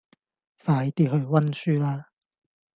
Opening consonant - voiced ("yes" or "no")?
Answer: no